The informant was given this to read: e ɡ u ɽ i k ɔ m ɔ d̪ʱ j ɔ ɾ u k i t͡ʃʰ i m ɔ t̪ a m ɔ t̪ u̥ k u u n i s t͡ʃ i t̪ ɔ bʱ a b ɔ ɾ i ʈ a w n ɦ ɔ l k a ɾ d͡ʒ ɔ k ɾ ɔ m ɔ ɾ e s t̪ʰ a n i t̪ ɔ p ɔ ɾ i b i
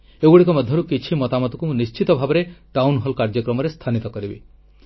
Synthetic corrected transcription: e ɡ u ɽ i k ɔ m ɔ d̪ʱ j ɔ ɾ u k i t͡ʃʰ i m ɔ t̪ a m ɔ t̪ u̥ k u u n i s t͡ʃ i t̪ ɔ bʱ a b ɔ ɾ e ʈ a w n ɦ ɔ l k a ɾ d͡ʒ ɔ k ɾ ɔ m ɔ ɾ e s t̪ʰ a n i t̪ ɔ k ɔ ɾ i b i